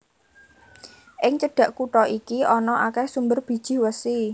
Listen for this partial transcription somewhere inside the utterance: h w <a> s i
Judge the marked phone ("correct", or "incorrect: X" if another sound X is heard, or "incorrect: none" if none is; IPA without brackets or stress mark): incorrect: ə